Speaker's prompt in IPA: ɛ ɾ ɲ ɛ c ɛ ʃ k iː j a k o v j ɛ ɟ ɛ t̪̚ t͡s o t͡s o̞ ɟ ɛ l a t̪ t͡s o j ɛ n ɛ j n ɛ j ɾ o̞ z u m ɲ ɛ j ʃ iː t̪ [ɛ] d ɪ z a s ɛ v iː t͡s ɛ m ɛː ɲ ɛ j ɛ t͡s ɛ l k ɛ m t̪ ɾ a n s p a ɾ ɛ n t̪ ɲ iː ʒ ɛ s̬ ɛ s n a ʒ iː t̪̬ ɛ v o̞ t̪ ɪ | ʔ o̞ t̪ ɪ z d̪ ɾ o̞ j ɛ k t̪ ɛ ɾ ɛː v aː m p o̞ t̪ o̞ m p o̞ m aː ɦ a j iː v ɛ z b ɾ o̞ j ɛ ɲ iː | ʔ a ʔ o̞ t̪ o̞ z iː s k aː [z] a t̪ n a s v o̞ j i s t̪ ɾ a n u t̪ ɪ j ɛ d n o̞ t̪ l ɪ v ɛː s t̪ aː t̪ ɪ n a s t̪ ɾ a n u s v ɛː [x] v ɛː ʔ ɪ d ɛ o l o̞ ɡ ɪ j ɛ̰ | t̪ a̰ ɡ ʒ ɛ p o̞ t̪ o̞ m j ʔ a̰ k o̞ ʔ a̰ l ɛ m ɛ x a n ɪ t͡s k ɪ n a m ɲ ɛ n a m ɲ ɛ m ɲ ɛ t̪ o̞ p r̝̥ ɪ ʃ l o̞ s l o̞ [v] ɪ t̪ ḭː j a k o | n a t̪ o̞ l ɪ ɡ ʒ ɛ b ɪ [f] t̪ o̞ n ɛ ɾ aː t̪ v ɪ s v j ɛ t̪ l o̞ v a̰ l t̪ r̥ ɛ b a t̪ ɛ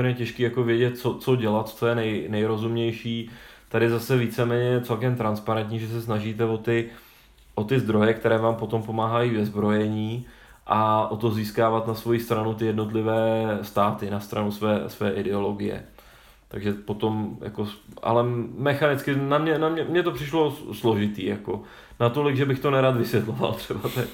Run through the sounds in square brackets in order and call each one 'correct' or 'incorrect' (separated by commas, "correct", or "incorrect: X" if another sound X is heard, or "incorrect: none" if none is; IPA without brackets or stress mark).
incorrect: a, incorrect: v, incorrect: s, incorrect: ʒ, incorrect: x